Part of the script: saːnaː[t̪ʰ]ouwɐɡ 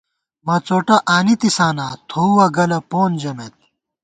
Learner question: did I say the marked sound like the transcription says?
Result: yes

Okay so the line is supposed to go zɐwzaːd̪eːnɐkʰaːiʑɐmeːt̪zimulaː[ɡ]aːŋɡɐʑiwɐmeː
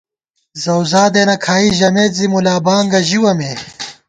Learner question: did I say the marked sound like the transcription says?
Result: no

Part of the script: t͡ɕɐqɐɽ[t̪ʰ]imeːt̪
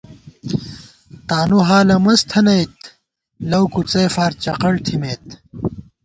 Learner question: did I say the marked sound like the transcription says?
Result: yes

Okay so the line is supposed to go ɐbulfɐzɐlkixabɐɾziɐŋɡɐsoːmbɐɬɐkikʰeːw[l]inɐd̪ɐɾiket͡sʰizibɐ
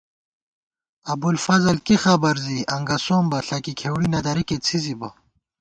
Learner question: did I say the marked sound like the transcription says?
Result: no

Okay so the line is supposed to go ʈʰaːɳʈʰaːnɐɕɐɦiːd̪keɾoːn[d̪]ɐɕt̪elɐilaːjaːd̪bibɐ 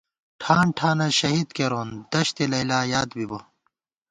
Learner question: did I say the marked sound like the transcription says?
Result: yes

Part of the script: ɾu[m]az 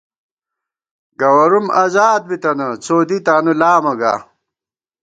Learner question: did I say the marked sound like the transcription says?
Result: yes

